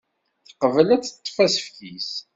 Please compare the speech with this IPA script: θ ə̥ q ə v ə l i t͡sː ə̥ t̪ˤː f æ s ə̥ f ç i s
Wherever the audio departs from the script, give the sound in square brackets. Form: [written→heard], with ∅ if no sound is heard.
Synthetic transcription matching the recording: θ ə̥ q ə v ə l [i→æ] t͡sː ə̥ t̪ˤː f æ s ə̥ f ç i s